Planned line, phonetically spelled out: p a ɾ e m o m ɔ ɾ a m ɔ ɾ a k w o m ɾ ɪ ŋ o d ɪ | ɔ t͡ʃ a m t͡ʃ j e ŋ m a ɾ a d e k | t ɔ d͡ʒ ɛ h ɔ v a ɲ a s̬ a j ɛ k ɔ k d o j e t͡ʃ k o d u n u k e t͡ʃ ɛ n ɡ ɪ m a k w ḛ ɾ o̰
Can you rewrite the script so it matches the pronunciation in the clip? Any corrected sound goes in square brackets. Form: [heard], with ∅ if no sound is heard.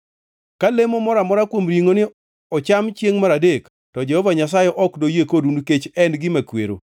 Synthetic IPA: [k] a [l] e m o m ɔ ɾ a m ɔ ɾ a k w o m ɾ [i] ŋ o [n] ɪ | ɔ t͡ʃ a m t͡ʃ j e ŋ m a ɾ a d e k | t ɔ d͡ʒ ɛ h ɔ v a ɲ a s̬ a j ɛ [ʔ] ɔ k d o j e [∅] k o d u n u k e t͡ʃ ɛ n ɡ ɪ m a k w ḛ ɾ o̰